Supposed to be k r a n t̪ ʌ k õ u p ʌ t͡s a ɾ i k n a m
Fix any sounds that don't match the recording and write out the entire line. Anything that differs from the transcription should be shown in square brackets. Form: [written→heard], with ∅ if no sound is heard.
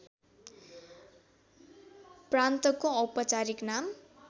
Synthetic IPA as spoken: [k→p] r a n t̪ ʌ k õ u p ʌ t͡s a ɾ i k n a m